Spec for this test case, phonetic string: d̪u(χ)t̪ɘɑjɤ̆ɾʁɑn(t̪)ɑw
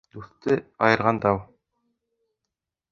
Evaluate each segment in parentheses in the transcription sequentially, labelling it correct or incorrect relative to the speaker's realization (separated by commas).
incorrect, incorrect